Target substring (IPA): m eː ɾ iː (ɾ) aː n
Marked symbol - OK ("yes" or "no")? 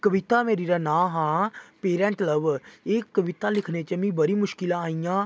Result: yes